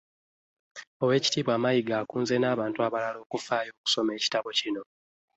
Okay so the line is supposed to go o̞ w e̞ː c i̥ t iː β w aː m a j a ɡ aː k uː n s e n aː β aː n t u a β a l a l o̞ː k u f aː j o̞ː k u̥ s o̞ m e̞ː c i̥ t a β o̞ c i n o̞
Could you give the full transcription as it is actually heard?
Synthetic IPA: o̞ w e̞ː c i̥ t iː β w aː m a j i ɡ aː k uː n z e n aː β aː n t u a β a l a l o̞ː k u f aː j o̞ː k u̥ s o̞ m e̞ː c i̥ t a β o̞ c i n o̞